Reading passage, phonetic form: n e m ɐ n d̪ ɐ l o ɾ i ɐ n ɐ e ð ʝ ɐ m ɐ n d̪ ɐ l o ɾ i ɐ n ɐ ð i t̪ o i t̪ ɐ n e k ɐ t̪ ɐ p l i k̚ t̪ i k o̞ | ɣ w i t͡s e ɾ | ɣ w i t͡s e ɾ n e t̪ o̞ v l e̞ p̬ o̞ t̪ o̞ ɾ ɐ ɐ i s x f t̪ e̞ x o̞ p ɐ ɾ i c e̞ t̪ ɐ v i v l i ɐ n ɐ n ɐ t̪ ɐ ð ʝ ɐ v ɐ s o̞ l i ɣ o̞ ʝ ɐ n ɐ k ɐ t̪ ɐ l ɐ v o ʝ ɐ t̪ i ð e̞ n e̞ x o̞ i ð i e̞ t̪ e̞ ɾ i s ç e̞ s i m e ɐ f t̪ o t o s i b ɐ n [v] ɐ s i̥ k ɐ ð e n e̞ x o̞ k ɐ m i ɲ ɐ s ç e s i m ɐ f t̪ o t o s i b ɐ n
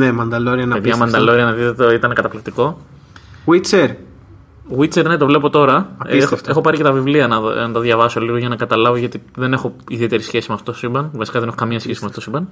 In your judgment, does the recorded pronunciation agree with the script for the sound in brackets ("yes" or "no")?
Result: yes